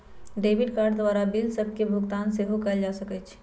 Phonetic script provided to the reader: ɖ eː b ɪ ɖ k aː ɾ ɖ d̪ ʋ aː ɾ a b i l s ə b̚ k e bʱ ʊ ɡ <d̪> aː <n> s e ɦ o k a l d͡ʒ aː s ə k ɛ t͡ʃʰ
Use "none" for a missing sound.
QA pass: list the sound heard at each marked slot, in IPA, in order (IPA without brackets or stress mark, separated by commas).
t̪, n